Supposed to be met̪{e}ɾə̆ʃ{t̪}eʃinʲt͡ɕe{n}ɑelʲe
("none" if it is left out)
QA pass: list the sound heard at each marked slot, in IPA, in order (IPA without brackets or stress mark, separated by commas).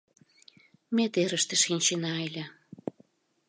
e, t̪, n